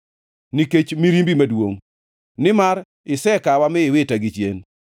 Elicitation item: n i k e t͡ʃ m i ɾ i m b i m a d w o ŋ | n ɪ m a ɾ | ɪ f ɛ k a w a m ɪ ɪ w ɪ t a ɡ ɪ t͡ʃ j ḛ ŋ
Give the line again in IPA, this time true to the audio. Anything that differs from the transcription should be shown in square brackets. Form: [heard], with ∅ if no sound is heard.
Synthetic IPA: n i k e t͡ʃ m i ɾ i m b i m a d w o ŋ | n ɪ m a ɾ | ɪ [s] ɛ k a w a m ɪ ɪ w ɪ t a ɡ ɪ t͡ʃ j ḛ [n]